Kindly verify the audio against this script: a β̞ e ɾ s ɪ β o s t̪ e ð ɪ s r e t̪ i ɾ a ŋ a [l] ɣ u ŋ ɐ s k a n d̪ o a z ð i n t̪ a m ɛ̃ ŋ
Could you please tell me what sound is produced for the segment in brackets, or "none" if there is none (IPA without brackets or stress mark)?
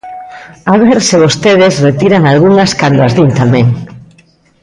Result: l